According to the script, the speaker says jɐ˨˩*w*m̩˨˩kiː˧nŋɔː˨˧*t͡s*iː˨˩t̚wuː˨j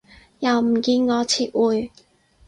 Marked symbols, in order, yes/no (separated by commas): yes, no